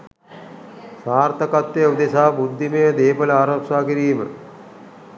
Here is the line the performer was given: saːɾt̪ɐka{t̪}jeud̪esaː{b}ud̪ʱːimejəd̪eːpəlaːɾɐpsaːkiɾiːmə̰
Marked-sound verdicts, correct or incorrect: correct, correct

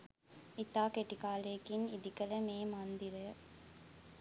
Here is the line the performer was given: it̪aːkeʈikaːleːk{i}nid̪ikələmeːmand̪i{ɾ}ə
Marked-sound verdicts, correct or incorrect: correct, correct

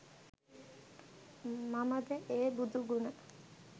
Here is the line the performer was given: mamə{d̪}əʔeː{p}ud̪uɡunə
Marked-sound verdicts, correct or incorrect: correct, incorrect: b

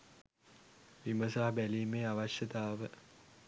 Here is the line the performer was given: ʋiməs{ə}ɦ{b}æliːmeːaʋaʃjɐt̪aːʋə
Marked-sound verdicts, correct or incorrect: incorrect: a, correct

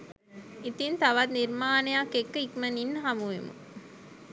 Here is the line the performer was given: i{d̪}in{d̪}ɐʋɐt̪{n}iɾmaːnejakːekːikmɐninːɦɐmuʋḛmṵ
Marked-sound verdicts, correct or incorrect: incorrect: t̪, incorrect: t̪, correct

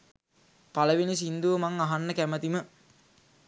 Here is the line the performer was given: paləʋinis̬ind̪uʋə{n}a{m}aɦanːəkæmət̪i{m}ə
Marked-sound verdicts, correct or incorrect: incorrect: m, incorrect: ŋ, correct

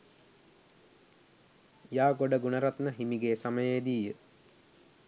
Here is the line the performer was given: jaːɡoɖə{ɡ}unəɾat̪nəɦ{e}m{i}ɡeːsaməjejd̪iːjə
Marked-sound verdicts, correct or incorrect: correct, incorrect: i, correct

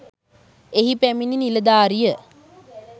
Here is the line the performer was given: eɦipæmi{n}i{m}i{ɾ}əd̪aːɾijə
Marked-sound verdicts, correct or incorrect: correct, incorrect: n, incorrect: l

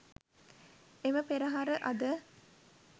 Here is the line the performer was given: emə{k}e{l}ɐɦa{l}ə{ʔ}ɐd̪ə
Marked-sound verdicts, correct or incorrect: incorrect: p, incorrect: ɾ, incorrect: ɾ, correct

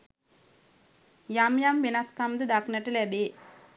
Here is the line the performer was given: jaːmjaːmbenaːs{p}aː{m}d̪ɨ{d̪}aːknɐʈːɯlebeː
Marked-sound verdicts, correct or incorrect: incorrect: k, correct, correct

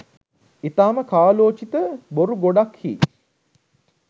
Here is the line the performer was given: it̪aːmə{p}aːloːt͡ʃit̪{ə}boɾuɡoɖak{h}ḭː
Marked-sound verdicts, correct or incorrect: incorrect: k, correct, correct

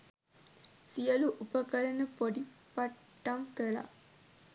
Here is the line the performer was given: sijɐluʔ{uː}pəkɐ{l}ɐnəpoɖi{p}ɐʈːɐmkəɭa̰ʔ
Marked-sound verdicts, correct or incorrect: incorrect: u, incorrect: ɾ, correct

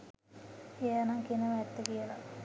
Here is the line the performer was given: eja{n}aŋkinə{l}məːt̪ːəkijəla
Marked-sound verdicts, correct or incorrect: correct, incorrect: none

